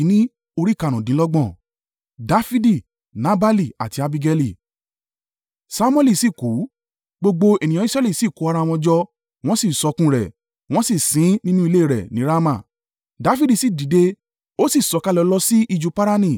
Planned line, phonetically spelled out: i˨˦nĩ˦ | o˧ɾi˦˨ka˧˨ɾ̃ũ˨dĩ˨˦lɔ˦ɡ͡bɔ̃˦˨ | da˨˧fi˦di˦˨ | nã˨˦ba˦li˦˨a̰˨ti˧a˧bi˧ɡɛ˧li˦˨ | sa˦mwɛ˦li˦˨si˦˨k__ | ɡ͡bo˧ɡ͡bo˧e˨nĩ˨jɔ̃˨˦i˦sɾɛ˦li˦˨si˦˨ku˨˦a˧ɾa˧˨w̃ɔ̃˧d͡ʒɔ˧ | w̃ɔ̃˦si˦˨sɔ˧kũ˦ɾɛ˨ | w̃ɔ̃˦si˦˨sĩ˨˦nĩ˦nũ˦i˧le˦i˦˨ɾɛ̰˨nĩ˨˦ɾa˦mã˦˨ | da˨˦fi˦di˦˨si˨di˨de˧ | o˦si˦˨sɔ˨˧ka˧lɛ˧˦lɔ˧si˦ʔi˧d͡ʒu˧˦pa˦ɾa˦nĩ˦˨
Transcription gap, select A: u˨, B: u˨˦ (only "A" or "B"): B